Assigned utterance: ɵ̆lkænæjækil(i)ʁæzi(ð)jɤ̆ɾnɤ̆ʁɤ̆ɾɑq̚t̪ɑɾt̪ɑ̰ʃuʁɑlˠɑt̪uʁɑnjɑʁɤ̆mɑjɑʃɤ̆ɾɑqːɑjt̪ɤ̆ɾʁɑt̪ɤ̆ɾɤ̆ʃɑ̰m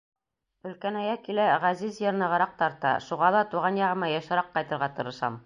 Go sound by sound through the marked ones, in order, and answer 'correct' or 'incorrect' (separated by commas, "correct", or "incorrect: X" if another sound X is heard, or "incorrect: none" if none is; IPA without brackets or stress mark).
incorrect: æ, incorrect: z